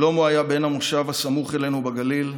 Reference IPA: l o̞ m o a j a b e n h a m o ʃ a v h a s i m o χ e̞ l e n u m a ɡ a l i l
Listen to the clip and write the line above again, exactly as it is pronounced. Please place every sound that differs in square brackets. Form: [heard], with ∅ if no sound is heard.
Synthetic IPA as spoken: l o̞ m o a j a b e n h a m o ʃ a v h a s [a] m [u] χ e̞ l e n u [b] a ɡ a l i l